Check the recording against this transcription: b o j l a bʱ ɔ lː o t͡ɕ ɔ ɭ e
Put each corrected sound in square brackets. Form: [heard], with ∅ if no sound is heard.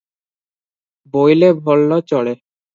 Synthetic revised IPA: b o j l [e] bʱ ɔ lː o t͡ɕ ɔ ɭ e

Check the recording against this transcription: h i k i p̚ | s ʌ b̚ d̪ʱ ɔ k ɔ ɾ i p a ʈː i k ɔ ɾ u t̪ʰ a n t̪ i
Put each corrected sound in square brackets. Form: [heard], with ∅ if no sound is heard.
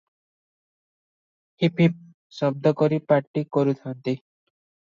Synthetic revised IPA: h i [p] i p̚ | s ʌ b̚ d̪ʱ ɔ k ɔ ɾ i p a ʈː i k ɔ ɾ u t̪ʰ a n t̪ i

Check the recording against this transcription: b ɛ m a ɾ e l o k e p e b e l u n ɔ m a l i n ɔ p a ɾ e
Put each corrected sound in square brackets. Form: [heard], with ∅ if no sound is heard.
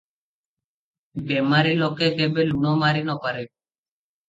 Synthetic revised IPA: b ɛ m a ɾ [i] l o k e [k] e b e l u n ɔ m a [ɾ] i n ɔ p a ɾ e

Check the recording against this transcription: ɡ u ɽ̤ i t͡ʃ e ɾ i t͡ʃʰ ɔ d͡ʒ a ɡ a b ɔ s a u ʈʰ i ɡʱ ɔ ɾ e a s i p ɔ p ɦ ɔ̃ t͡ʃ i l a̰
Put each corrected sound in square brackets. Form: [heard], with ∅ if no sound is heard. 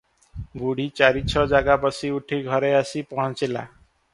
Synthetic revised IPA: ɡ u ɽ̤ i t͡ʃ [a] ɾ i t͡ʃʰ ɔ d͡ʒ a ɡ a b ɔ s [i] u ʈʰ i ɡʱ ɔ ɾ e a s i p ɔ [∅] ɦ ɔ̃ t͡ʃ i l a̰

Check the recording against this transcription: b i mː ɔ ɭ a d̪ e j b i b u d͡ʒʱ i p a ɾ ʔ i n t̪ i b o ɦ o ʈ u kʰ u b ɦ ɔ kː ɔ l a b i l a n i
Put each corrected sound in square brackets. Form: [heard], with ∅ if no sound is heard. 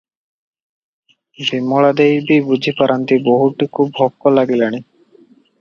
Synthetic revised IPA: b i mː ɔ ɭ a d̪ e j b i b u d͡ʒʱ i p a ɾ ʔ [a] n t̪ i b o ɦ [u] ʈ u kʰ u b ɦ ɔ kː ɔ l a [ɡ] i l a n i

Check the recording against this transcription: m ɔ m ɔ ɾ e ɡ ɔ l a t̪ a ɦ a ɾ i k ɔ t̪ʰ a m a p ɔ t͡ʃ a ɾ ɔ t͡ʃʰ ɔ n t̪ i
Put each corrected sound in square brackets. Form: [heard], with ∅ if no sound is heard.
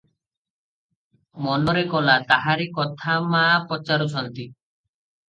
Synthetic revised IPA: m ɔ [n] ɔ ɾ e [k] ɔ l a t̪ a ɦ a ɾ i k ɔ t̪ʰ a m a p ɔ t͡ʃ a ɾ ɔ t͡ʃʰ ɔ n t̪ i

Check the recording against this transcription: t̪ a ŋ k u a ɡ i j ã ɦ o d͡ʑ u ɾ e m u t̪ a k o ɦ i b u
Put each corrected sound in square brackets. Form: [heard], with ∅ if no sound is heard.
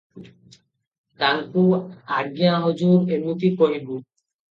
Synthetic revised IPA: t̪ a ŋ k u a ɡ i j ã ɦ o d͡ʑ u ɾ e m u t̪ [i] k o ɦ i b u

